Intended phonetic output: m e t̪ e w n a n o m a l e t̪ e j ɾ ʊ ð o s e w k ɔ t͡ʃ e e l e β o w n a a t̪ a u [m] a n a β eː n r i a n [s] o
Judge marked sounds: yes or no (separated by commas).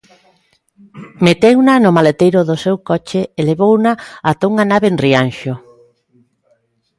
no, no